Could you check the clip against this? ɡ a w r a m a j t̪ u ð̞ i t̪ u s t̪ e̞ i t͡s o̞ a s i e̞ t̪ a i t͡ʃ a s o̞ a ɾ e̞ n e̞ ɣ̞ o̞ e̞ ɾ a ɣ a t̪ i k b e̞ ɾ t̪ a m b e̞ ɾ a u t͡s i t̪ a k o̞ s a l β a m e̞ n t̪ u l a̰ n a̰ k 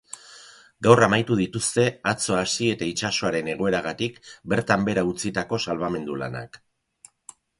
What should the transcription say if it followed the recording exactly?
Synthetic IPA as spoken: ɡ a w r a m a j t̪ u ð̞ i t̪ u s t̪ e̞ a t͡s o̞ a s i e̞ t̪ a i t͡ʃ a s o̞ a ɾ e̞ n e̞ ɣ̞ o̞ e̞ ɾ a ɣ a t̪ i k b e̞ ɾ t̪ a m b e̞ ɾ a u t͡s i t̪ a k o̞ s a l β a m e̞ n d̪ u l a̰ n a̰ k

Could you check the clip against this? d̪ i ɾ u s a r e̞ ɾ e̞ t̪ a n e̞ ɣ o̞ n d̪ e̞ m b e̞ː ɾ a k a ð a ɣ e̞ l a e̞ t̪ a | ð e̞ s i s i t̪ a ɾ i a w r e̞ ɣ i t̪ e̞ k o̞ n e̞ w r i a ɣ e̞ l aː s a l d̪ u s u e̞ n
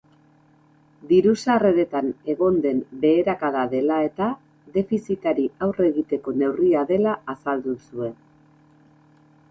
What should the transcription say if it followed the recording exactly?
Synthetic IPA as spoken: d̪ i ɾ u s a r e̞ ɾ e̞ t̪ a n e̞ ɣ o̞ n d̪ e̞ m b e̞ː ɾ a k a ð a ð e̞ l a e̞ t̪ a | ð e̞ f i s i t̪ a ɾ i a w r e̞ ɣ i t̪ e̞ k o̞ n e̞ w r i a ð e̞ l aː s a l d̪ u s u e̞ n

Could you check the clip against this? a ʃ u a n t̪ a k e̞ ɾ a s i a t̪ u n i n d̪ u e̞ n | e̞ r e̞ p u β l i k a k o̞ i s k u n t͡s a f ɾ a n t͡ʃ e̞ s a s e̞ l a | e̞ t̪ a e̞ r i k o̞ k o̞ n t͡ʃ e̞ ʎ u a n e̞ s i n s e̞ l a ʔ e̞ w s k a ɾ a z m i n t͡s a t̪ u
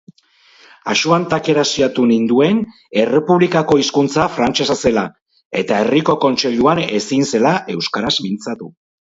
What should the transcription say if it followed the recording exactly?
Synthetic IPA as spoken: a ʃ u a n t̪ a k e̞ ɾ a s i a t̪ u n i n d̪ u e̞ n | e̞ r e̞ p u β l i k a k o̞ i s k u n t͡s a f ɾ a n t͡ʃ e̞ s a s e̞ l a | e̞ t̪ a e̞ r i k o̞ k o̞ n t͡ʃ e̞ ʎ u a n e̞ s i n s e̞ l a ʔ e̞ w s k a ɾ a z m i n t͡s a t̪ u

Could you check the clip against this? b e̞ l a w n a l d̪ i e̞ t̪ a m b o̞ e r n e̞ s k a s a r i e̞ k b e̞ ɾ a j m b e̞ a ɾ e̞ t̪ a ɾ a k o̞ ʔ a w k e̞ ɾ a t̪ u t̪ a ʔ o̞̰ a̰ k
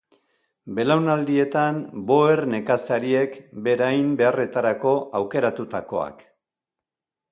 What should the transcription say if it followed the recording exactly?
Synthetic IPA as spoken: b e̞ l a w n a l d̪ i e̞ t̪ a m b o̞ e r n e̞ k a s a ɾ i e̞ k b e̞ ɾ a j m b e̞ a r e̞ t̪ a ɾ a k o̞ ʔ a w k e̞ ɾ a t̪ u t̪ a k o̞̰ a̰ k

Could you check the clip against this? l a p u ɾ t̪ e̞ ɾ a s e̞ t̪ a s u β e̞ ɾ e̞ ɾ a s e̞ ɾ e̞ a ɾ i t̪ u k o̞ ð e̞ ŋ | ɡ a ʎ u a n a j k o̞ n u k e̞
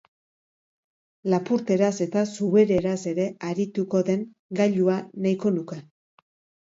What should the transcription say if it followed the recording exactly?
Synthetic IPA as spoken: l a p u ɾ t̪ e̞ ɾ a s e̞ t̪ a s u β e̞ ɾ e̞ ɾ a s e̞ ɾ e̞ a ɾ i t̪ u k o̞ ð e̞ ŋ | ɡ a ʎ u a n a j k o̞ n u k e̞

